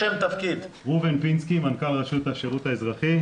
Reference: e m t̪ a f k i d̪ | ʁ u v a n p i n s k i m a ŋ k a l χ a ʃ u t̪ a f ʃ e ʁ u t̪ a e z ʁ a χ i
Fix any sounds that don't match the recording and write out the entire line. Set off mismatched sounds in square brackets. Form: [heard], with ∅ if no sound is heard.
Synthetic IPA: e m t̪ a f k i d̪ | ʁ u v [e] n p i n s k i m a [n] k a l [ʁ] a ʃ u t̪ a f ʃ e ʁ u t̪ a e z ʁ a χ i